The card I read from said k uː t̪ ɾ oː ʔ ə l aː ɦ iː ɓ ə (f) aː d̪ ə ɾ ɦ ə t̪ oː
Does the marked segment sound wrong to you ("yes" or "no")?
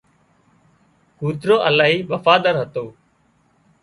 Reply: no